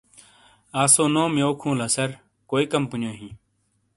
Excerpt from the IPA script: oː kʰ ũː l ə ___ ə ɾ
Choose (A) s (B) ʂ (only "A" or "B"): A